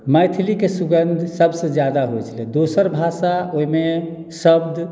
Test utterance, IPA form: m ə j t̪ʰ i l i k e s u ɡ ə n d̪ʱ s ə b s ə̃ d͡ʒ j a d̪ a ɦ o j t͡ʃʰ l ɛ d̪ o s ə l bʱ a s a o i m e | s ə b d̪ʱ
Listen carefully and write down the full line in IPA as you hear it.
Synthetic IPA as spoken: m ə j t̪ʰ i l i k e s u ɡ ə n d̪ʱ s ə b s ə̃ d͡ʒ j a d̪ a ɦ o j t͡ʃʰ l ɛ d̪ o s ə ɾ bʱ a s a o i m e | s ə b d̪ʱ